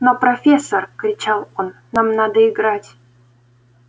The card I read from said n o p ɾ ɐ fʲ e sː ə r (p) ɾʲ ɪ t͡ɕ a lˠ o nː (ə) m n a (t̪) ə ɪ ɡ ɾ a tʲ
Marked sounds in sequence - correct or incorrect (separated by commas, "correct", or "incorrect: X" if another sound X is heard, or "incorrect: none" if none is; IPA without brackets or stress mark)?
incorrect: k, incorrect: a, incorrect: d̪